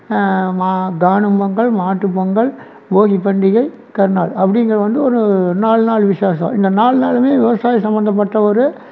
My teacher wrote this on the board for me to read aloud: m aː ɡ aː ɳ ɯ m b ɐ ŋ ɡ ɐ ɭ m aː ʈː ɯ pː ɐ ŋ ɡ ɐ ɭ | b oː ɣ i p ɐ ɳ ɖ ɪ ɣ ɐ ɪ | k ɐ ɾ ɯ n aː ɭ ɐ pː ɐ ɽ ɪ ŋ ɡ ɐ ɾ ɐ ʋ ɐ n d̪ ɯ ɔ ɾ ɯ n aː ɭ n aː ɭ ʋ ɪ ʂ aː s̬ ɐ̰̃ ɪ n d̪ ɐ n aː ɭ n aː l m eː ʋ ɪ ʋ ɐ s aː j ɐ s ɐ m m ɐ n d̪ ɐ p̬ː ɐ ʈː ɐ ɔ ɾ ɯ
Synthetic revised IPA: m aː ɡ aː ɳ ɯ m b ɐ ŋ ɡ ɐ ɭ m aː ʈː ɯ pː ɐ ŋ ɡ ɐ ɭ | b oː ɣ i p ɐ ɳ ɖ ɪ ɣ ɐ ɪ | k ɐ ɾ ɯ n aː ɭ ɐ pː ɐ ɽ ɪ ŋ ɡ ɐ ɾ ɐ ʋ ɐ n d̪ ɯ ɔ ɾ ɯ n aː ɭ n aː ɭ ʋ ɪ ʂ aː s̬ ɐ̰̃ ɪ n d̪ ɐ n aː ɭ n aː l m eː ʋ ɪ ʋ ɐ s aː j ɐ s ɐ m b ɐ n d̪ ɐ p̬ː ɐ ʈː ɐ ɔ ɾ ɯ